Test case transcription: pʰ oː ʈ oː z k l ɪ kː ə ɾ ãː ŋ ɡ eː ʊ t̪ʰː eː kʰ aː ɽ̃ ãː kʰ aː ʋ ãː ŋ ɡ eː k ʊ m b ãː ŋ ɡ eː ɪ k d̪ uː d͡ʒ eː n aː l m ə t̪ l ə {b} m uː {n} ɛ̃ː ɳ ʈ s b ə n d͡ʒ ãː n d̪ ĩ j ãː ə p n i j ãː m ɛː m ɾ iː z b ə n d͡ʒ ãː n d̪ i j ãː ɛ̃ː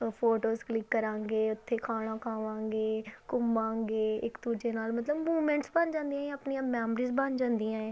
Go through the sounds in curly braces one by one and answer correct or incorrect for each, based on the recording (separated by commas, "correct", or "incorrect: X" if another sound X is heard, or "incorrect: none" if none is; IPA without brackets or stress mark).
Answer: correct, incorrect: m